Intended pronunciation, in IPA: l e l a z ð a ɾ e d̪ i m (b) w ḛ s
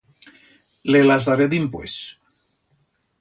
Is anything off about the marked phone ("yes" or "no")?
yes